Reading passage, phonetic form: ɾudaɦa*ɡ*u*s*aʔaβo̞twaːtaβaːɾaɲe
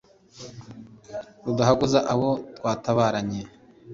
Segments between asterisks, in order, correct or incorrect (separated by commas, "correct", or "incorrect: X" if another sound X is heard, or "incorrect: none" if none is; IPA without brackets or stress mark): correct, incorrect: z